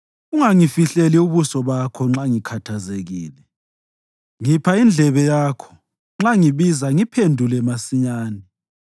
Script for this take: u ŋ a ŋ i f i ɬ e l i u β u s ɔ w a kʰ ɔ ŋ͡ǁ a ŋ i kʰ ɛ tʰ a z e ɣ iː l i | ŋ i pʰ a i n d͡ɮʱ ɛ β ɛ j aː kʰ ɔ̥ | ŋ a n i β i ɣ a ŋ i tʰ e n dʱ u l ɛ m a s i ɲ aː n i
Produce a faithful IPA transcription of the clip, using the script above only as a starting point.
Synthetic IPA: u ŋ a ŋ i f i ɬ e l i u β u s ɔ β a kʰ ɔ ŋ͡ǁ a ŋ i kʰ a tʰ a z e ɣ iː l ɛ | ŋ i pʰ a i n d͡ɮʱ ɛ β ɛ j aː kʰ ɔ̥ | ŋ͡ǁ a ŋ i β i z a ŋ i pʰ e n dʱ u l ɛ m a s i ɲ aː n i